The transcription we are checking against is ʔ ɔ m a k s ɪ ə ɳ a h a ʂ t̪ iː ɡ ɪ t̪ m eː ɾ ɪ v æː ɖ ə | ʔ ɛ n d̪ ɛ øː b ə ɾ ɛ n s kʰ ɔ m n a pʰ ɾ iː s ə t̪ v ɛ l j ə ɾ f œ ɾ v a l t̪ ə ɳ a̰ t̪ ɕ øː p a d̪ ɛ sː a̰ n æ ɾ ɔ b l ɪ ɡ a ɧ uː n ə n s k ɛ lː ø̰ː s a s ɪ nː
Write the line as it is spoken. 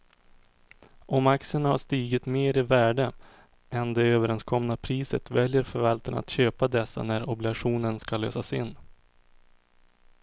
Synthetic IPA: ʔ ɔ m a k s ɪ ə ɳ a h a ʂ t̪ iː ɡ ɪ t̪ m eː ɾ ɪ v æː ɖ ə | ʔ ɛ n d̪ ɛ øː v ə ɾ ɛ n s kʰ ɔ m n a pʰ ɾ iː s ə t̪ v ɛ l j ə ɾ f œ ɾ v a l t̪ ə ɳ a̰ t̪ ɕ øː p a d̪ ɛ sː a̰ n æ ɾ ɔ b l ɪ ɡ a ɧ uː n ə n s k a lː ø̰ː s a s ɪ nː

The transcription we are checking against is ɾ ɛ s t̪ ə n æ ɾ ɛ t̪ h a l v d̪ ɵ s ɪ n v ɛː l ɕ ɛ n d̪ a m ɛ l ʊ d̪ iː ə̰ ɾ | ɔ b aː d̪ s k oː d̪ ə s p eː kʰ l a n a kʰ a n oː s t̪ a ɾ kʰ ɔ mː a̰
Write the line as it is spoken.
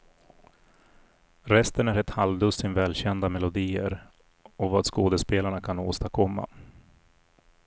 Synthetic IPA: ɾ ɛ s t̪ ə n æ ɾ ɛ t̪ h a l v d̪ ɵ s ɪ n v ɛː l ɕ ɛ n d̪ a m ɛ l ʊ d̪ iː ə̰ ɾ | ɔ v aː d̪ s k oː d̪ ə s p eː l a ɳ a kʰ a n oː s t̪ a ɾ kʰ ɔ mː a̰

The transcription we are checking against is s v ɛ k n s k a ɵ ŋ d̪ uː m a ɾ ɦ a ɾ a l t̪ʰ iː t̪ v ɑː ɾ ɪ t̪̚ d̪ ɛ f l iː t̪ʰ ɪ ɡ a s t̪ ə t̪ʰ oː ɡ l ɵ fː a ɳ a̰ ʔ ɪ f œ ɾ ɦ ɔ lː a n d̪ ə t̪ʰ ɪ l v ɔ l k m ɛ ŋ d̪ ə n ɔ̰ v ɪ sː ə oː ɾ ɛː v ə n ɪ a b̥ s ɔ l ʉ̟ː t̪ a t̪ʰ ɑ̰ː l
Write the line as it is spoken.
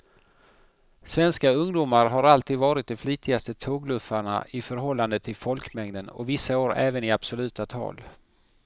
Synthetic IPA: s v ɛ n s k a ɵ ŋ d̪ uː m a ɾ ɦ a ɾ a l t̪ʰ iː d̪ v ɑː ɾ ɪ t̪̚ d̪ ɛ f l iː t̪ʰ ɪ ɡ a s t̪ ə t̪ʰ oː ɡ l ɵ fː a ɳ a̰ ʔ ɪ f œ ɾ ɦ ɔ lː a n d̪ ə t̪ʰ ɪ l f ɔ l k m ɛ ŋ d̪ ə n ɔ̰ v ɪ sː a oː ɾ ɛː v ə n ɪ a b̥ s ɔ l ʉ̟ː t̪ a t̪ʰ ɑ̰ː l

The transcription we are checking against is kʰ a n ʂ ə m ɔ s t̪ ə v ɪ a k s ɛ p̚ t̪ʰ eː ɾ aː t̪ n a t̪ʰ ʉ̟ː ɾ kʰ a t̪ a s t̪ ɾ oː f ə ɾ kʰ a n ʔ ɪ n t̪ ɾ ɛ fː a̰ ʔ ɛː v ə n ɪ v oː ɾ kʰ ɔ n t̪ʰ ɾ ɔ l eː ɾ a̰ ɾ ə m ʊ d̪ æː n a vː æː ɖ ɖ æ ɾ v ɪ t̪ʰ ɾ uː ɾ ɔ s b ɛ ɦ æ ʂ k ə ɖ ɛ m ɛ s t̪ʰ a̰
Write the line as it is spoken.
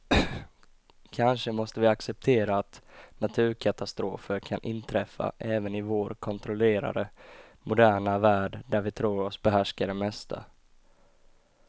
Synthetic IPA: kʰ a n ʂ ə m ɔ s t̪ ə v ɪ a k s ɛ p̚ t̪ʰ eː ɾ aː t̪ n a t̪ʰ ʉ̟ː ɾ kʰ a t̪ a s t̪ ɾ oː f ə ɾ kʰ a n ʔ ɪ n t̪ʰ ɾ ɛ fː a̰ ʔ ɛː v ə n ɪ v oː ɾ kʰ ɔ n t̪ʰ ɾ ɔ l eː ɾ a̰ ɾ ə m ʊ d̪ æː ɳ a v æː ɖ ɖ æ ɾ v ɪ t̪ʰ ɾ uː ɾ ɔ s b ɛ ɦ æ ʂ k a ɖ ɛ m ɛ s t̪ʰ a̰

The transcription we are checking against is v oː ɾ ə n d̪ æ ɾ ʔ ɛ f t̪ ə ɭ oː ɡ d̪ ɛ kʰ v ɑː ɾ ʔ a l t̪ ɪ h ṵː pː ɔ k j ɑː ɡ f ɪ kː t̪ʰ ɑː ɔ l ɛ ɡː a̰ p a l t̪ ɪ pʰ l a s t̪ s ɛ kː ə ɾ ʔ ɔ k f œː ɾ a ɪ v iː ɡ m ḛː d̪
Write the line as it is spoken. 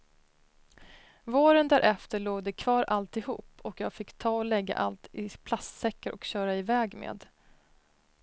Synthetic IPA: v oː ɾ ə n d̪ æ ɾ ʔ ɛ f t̪ ə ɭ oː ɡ d̪ ɛ kʰ v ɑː ɾ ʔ a l t̪ ɪ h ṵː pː ɔ k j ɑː ɡ f ɪ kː t̪ʰ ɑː ɔ l ɛ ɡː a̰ ʔ a l t̪ ɪ pʰ l a s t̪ s ɛ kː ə ɾ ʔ ɔ k ɕ œː ɾ a ɪ v ɛː ɡ m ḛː d̪

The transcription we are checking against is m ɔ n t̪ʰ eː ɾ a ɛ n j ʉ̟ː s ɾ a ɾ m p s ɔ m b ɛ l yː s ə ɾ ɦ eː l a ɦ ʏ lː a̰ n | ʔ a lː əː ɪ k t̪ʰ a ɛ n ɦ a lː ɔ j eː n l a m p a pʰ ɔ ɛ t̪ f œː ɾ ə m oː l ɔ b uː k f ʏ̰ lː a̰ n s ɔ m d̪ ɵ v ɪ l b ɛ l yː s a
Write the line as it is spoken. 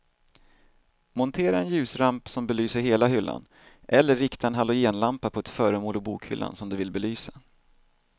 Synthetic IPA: m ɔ n t̪ʰ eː ɾ a ɛ n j ʉ̟ː s ɾ a m p s ɔ m b ɛ l yː s ə ɾ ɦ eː l a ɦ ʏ lː a̰ n | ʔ ɛ lː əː ɪ k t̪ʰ a ɛ n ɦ a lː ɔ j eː n l a m p a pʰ ɔ ɛ t̪ f œː ɾ ə m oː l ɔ b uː k h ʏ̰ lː a̰ n s ɔ m d̪ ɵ v ɪ l b ɛ l yː s a

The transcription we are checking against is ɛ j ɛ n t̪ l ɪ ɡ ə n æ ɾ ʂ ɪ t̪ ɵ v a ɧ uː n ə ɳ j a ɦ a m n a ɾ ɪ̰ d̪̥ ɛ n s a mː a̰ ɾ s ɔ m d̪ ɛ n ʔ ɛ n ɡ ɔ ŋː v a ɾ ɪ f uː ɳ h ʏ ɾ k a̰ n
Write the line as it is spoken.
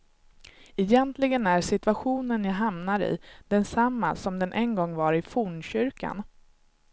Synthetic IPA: ɛ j ɛ n t̪ l ɪ ɡ ə n æ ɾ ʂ ɪ t̪ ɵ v a ɧ uː n ə n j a ɦ a m n a ɾ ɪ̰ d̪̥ ɛ n s a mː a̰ s ɔ m d̪ ɛ n ʔ ɛ n ɡ ɔ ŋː v a ɾ ɪ f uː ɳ ɕ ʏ ɾ k a̰ n

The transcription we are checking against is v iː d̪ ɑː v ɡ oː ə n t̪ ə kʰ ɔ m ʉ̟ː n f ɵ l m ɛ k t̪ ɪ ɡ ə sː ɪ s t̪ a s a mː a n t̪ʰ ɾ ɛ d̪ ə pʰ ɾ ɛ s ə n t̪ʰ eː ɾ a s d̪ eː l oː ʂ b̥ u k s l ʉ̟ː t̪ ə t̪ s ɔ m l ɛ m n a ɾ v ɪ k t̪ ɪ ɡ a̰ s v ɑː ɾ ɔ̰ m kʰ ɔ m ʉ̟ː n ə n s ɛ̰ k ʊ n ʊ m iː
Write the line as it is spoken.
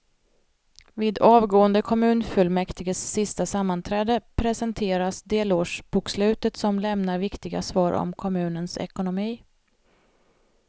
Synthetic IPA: v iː d̪ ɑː v ɡ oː ə n d̪ ə kʰ ɔ m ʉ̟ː n f ɵ l m ɛ k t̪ ɪ ɡ ə sː ɪ s t̪ a s a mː a n t̪ʰ ɾ ɛː d̪ ə pʰ ɾ ɛ s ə n t̪ʰ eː ɾ a s d̪ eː l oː ʂ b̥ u k s l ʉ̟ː t̪ ə t̪ s ɔ m l ɛ m n a ɾ v ɪ k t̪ ɪ ɡ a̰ s v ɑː ɾ ɔ̰ m kʰ ɔ m ʉ̟ː n ə n s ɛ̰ k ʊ n ʊ m iː

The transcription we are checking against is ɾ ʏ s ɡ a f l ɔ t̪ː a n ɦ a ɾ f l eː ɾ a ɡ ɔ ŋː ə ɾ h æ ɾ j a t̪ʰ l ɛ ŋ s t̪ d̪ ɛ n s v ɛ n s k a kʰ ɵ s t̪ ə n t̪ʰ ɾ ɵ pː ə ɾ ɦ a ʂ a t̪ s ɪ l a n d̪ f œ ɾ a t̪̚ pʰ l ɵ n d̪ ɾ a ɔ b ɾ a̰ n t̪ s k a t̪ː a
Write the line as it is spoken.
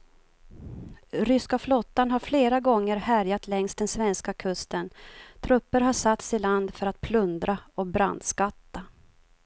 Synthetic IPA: ɾ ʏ s k a f l ɔ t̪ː a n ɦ a ɾ f l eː ɾ a ɡ ɔ ŋː ə ɾ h æ ɾ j a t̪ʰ l ɛ ŋ s t̪ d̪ ɛ n s v ɛ n s k a kʰ ɵ s t̪ ə n t̪ʰ ɾ ɵ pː ə ɾ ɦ a ʂ a t̪ s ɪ l a n d̪ f œ ɾ a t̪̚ pʰ l ɵ n d̪ ɾ a ɔ b ɾ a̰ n d̪ s k a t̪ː a

